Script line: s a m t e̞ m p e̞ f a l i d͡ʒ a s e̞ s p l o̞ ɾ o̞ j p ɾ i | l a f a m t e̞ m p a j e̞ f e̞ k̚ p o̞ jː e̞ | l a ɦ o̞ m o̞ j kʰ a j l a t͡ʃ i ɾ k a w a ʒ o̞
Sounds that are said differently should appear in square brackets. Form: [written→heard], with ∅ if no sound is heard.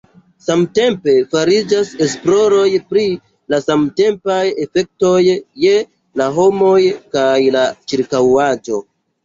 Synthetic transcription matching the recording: s a m t e̞ m p e̞ f a [l→ɾ] i d͡ʒ a s e̞ s p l o̞ ɾ o̞ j p ɾ i | l a [f→s] a m t e̞ m p a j e̞ f e̞ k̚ [p→t] o̞ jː e̞ | l a ɦ o̞ m o̞ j [kʰ→k] a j l a t͡ʃ i ɾ k a w a [ʒ→d͡ʒ] o̞